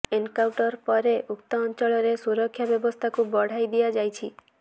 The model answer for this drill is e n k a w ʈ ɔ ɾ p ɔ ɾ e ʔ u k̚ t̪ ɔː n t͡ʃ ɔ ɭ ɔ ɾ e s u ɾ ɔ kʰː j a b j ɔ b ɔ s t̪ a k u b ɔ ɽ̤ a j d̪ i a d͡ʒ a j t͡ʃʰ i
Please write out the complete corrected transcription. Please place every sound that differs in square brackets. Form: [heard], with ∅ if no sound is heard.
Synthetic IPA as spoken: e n k a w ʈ ɔ ɾ p ɔ ɾ e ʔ u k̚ t̪ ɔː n t͡ʃ ɔ ɭ ɔ ɾ e s u ɾ ɔ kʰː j a b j ɔ b ɔ s [t̪ʰ] a k u b ɔ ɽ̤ a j d̪ i a d͡ʒ a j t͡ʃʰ i